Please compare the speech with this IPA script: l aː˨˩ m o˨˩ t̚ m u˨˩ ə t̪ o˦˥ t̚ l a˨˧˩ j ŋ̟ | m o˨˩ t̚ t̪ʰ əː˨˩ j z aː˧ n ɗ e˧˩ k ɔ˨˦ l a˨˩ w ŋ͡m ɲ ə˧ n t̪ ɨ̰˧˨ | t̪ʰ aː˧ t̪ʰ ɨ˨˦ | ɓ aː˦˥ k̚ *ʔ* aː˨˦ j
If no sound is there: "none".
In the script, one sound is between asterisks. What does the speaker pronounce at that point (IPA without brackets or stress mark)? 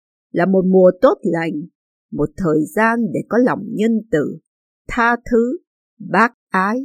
ʔ